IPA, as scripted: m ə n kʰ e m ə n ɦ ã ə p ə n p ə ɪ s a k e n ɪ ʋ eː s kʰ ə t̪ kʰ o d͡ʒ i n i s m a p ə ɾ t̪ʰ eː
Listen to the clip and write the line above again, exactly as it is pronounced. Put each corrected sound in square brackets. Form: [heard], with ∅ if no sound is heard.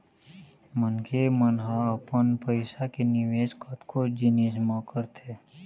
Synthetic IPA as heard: m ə n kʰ e m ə n ɦ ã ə p ə n p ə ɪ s a k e n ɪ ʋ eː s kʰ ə t̪ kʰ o d͡ʒ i n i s m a [k] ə ɾ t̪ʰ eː